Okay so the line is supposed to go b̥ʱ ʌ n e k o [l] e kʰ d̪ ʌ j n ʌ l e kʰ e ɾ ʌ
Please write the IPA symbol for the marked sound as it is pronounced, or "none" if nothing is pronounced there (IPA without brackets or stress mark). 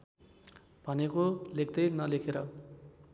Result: l